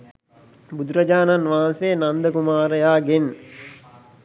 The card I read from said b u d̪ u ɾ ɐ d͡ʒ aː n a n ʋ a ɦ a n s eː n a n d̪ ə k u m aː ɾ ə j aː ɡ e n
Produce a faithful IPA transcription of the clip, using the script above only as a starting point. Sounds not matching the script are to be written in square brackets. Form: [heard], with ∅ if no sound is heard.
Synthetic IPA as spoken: b u d̪ u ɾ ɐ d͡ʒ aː n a n ʋ a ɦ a n s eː n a n d̪ ə k u m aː ɾ ə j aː ɡ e n